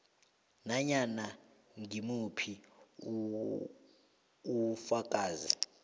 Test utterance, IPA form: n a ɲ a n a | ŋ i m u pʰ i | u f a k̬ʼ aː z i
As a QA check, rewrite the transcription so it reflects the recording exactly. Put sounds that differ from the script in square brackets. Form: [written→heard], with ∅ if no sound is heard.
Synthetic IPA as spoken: n a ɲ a n a | ŋ i m u pʰ i | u f a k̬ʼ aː z i